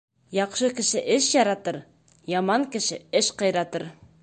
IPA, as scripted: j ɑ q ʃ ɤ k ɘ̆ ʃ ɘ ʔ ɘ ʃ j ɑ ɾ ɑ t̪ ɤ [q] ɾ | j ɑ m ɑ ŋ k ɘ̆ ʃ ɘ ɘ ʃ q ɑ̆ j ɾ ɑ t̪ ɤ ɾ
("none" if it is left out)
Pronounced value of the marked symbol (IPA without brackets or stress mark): none